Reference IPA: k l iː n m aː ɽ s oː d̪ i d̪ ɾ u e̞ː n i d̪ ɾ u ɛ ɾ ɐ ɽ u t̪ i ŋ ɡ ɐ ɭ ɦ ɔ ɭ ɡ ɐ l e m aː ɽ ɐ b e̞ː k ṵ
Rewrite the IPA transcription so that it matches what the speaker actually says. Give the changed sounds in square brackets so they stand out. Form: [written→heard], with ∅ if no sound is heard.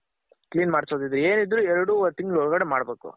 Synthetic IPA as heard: k l iː n m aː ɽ s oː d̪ i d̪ ɾ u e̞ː n i d̪ ɾ u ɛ ɾ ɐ ɽ u t̪ i ŋ ɡ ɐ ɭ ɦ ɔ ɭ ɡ ɐ [l→ɽ] e m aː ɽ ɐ b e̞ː k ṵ